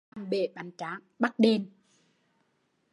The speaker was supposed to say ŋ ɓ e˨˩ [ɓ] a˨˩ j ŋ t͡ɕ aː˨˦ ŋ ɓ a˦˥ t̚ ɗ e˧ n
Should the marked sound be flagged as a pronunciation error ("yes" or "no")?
no